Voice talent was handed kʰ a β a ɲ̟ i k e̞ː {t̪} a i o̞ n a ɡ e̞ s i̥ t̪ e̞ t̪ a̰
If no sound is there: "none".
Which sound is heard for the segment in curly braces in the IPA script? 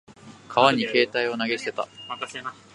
t̪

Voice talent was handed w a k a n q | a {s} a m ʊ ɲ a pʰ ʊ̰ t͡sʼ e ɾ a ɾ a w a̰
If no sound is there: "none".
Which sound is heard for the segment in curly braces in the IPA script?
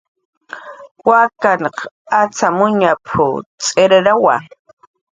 t͡s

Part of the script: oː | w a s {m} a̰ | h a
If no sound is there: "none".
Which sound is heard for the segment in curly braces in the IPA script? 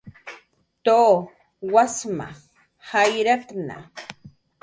m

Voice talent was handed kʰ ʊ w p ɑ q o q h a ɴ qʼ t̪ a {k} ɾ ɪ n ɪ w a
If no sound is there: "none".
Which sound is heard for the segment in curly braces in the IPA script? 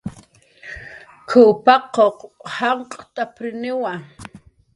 p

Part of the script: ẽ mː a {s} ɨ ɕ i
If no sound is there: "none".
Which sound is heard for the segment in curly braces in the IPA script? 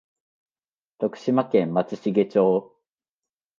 t͡s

